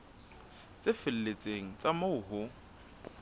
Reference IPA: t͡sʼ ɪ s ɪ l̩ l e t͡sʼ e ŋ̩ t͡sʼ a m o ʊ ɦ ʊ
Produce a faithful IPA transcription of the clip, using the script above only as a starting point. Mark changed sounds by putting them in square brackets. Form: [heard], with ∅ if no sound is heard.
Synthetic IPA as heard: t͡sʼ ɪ [f] ɪ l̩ l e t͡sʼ e ŋ̩ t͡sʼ a m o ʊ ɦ ʊ